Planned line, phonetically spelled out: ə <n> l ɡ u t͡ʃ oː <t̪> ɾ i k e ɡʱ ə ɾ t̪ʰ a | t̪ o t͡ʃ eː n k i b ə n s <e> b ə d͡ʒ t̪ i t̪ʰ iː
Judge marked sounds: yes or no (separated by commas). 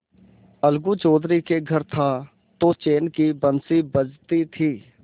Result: no, no, no